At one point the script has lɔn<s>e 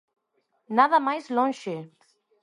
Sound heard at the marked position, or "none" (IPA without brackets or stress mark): ʃ